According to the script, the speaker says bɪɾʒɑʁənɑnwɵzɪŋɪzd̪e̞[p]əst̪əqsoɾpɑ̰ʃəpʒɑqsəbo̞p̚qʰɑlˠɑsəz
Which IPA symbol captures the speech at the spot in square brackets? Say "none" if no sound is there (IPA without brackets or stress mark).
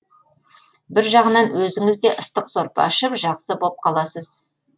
ʔ